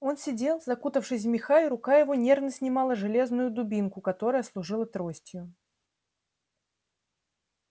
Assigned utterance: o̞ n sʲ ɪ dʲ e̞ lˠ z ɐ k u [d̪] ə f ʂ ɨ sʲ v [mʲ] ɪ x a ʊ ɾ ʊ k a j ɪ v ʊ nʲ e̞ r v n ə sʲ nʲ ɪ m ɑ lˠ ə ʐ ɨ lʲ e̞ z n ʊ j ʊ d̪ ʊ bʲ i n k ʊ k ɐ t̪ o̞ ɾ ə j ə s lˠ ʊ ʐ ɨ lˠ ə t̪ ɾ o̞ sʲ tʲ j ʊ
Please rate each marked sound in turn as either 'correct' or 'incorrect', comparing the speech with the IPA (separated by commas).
incorrect, correct